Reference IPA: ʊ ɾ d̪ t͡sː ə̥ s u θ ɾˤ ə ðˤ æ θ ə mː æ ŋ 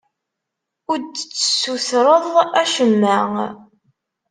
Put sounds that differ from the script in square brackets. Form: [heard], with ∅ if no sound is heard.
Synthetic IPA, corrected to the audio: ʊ ɾ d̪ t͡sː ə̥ s u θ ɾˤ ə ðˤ æ [ʃ] ə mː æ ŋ